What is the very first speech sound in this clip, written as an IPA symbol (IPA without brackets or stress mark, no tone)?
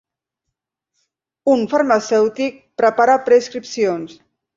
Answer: u